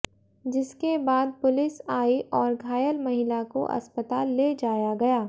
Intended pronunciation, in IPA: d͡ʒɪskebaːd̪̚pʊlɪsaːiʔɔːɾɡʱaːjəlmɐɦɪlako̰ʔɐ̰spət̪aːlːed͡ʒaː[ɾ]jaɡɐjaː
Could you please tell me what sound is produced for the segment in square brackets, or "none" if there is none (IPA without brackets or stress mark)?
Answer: none